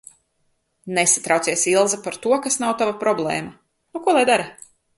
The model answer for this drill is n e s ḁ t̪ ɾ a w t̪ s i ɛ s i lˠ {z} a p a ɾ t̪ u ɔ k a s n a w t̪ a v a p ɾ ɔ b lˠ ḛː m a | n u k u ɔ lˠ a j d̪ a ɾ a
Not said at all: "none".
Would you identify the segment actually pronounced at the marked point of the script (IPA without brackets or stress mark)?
z